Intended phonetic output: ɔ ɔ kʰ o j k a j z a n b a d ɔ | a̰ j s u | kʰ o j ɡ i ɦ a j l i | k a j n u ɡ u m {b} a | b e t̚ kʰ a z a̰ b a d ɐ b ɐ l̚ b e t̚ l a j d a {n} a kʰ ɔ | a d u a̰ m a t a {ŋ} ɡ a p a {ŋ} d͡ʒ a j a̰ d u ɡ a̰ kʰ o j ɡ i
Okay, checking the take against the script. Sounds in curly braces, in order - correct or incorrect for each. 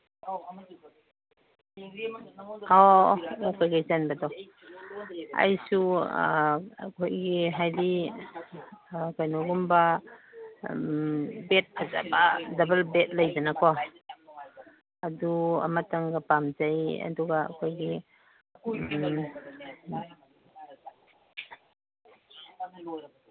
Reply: correct, correct, correct, incorrect: m

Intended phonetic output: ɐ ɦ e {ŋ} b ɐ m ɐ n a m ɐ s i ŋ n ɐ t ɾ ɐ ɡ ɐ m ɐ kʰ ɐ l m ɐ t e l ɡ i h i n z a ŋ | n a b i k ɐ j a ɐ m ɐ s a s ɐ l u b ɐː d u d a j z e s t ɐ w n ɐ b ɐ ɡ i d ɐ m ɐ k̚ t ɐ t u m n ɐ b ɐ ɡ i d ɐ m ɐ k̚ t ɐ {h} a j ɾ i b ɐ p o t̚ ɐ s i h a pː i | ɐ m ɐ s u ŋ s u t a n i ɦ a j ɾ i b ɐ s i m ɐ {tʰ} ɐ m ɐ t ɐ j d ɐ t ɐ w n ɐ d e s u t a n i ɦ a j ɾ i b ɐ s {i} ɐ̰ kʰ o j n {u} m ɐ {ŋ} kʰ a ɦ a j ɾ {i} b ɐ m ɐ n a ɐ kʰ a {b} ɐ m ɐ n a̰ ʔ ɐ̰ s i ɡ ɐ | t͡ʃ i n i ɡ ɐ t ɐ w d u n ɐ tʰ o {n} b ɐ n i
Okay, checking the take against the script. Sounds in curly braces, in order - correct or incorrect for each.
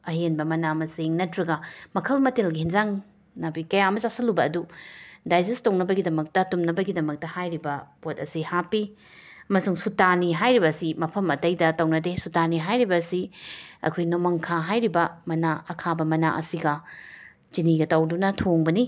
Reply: incorrect: n, correct, incorrect: pʰ, correct, incorrect: o, correct, correct, correct, incorrect: ŋ

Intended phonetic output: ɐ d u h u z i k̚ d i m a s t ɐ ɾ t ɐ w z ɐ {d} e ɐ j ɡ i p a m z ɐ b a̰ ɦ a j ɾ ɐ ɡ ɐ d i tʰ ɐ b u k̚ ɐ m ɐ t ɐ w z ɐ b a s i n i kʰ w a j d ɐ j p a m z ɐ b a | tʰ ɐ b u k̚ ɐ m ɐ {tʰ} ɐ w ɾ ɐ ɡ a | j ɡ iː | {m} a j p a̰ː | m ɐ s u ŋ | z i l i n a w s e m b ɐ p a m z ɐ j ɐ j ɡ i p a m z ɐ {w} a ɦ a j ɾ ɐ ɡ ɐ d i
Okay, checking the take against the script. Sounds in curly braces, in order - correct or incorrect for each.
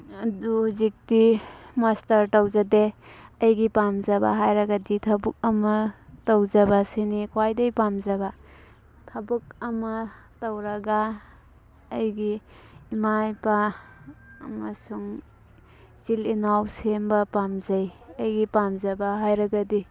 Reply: correct, incorrect: t, correct, incorrect: b

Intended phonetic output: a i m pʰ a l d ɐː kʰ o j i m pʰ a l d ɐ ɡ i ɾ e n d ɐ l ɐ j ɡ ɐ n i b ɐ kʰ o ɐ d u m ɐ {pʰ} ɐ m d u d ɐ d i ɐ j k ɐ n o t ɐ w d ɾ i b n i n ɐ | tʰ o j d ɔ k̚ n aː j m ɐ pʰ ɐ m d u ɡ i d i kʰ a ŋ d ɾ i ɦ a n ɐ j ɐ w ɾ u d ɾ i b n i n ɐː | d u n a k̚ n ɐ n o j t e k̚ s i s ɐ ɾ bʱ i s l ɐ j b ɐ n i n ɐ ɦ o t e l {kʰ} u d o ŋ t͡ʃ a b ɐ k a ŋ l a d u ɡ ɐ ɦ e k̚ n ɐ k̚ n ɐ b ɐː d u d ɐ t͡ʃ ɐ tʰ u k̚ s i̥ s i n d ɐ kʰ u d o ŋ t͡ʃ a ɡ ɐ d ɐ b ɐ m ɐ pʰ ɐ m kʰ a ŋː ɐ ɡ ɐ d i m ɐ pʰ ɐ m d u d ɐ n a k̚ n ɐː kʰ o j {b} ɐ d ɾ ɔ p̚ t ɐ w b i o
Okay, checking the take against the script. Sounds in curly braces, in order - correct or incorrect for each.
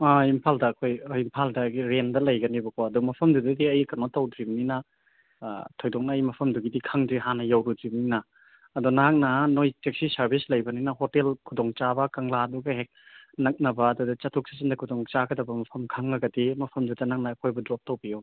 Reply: correct, correct, correct

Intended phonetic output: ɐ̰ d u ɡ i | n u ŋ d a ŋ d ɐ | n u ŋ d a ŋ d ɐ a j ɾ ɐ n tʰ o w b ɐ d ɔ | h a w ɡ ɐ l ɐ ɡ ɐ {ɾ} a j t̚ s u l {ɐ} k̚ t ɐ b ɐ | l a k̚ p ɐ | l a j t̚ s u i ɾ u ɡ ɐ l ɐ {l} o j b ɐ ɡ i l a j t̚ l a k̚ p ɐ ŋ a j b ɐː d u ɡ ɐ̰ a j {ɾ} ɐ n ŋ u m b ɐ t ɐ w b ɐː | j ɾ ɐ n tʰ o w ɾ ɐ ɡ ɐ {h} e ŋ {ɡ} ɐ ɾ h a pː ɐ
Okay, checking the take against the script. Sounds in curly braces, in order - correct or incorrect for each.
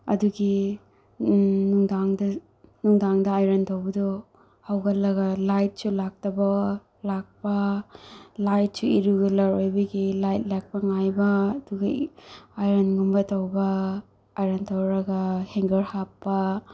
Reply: incorrect: l, incorrect: a, incorrect: ɾ, correct, correct, correct

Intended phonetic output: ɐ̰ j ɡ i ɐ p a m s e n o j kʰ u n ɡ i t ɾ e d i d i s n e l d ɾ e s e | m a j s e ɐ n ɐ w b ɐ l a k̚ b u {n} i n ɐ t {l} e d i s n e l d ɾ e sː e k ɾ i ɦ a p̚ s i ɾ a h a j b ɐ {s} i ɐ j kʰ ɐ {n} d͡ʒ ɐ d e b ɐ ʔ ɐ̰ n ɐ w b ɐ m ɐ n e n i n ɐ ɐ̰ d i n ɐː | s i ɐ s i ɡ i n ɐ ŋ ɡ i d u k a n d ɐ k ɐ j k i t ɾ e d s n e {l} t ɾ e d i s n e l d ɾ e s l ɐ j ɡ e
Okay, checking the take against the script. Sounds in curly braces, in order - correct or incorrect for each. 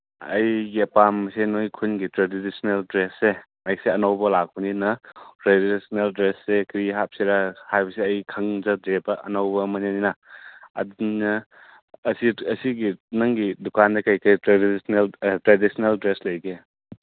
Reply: correct, incorrect: ɾ, correct, incorrect: ŋ, correct

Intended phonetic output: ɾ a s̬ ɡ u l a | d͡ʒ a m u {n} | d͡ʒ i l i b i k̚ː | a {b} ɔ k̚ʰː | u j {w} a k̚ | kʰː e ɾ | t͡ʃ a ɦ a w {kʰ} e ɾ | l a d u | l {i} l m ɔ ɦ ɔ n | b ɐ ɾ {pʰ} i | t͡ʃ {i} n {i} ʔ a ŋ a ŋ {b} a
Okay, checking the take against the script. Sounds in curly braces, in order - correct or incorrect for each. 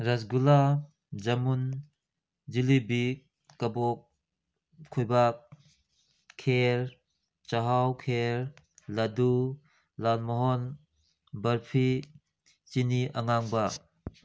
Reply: correct, correct, incorrect: b, correct, incorrect: a, correct, correct, correct, correct

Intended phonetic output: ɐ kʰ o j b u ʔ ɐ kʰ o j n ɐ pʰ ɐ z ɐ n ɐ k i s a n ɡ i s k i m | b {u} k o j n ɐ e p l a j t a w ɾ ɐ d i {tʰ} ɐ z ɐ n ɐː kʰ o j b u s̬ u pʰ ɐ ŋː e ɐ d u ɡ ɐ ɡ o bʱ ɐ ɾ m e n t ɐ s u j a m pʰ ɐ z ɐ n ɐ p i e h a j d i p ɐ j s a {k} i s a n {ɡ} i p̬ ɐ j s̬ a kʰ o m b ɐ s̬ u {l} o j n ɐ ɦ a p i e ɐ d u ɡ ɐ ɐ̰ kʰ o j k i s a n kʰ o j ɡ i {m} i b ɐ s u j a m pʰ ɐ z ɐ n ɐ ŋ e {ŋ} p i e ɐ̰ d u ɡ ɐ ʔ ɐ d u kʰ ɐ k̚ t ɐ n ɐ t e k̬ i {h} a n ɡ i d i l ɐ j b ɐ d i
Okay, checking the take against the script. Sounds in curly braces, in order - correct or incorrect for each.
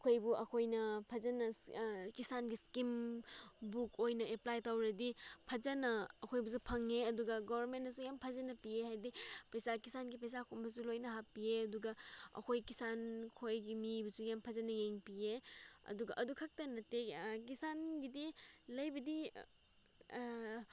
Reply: correct, incorrect: pʰ, correct, correct, correct, correct, correct, incorrect: s

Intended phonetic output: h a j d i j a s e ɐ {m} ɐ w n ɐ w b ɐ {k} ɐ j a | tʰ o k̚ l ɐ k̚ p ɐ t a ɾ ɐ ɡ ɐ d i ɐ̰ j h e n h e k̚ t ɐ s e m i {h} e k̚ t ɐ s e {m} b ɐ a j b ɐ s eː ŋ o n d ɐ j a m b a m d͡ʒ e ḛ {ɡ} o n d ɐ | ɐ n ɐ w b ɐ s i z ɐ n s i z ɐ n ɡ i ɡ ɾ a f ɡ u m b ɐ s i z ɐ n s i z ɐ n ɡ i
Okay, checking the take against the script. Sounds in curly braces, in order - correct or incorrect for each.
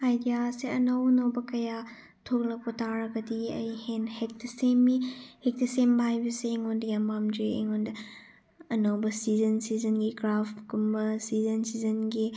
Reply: incorrect: n, correct, correct, correct, incorrect: ŋ

